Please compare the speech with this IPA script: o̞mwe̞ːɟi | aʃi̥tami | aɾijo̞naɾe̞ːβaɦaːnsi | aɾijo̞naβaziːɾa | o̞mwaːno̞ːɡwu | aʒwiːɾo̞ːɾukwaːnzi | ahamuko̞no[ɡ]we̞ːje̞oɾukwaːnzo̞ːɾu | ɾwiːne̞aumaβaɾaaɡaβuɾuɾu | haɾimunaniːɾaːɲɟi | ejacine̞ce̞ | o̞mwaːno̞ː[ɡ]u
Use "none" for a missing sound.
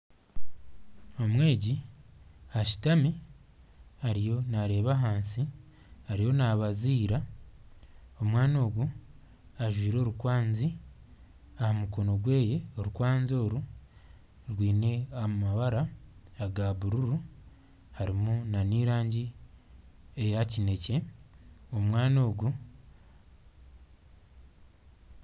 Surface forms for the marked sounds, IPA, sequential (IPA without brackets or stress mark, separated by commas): ɡ, ɡ